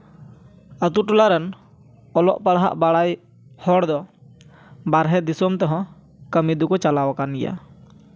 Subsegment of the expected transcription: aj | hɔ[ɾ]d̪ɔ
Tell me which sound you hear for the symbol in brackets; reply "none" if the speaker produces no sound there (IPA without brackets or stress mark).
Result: ɽ